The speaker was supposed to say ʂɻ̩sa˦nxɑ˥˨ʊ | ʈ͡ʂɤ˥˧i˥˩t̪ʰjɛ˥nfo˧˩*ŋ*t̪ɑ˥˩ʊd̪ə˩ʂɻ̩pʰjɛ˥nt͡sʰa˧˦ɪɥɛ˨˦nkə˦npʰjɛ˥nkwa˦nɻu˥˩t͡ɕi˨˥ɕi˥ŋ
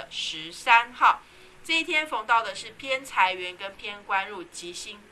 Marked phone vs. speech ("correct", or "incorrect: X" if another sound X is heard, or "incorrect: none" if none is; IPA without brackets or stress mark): correct